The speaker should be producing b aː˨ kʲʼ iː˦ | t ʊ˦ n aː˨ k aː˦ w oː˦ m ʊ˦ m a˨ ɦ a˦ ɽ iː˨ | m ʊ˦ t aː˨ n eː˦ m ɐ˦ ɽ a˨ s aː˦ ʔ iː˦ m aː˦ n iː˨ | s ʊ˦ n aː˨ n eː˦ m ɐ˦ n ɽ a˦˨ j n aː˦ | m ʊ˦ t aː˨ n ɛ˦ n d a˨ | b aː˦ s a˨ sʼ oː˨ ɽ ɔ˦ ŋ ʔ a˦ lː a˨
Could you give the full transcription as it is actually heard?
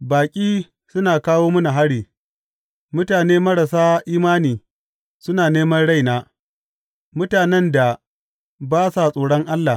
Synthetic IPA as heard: b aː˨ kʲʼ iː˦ | s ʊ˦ n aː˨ k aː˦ w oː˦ m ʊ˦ n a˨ ɦ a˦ ɽ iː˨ | m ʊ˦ t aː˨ n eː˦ m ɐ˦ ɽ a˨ s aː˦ ʔ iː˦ m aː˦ n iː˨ | s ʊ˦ n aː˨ n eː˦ m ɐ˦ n ɽ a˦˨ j n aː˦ | m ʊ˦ t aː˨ n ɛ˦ n d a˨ | b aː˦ s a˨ sʼ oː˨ ɽ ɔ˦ ŋ ʔ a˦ lː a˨